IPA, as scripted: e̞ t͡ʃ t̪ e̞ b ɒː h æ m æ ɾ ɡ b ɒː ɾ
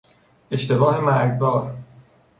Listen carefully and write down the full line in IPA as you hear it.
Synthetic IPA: e̞ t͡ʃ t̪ e̞ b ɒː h e m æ ɾ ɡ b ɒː ɾ